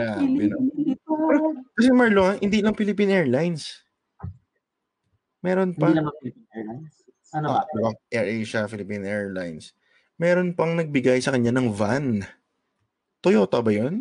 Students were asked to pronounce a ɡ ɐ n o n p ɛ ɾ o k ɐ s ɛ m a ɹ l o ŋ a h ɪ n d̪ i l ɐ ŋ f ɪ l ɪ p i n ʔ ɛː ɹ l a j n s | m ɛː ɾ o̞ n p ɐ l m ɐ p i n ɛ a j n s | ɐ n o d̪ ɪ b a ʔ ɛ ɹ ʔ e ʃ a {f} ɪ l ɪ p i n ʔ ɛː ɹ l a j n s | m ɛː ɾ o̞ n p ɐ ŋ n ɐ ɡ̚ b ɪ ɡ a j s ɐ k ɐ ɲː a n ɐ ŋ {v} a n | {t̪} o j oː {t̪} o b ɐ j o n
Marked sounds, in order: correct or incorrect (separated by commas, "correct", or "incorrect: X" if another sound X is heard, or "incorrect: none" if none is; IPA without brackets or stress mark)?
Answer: correct, correct, correct, correct